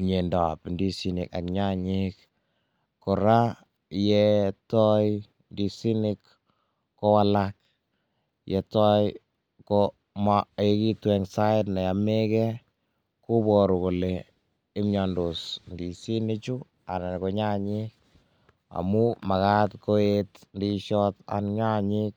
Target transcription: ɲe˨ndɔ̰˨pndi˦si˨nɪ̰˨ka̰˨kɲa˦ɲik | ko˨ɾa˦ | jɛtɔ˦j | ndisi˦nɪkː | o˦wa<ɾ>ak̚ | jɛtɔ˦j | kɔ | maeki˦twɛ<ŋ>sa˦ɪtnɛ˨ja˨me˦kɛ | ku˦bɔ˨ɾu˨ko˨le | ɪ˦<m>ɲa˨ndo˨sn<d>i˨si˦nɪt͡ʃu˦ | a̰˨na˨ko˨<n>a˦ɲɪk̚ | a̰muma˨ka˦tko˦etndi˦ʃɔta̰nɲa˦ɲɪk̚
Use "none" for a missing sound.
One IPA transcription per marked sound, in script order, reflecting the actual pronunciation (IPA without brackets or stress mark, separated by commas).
l, ŋ, m, d, ɲ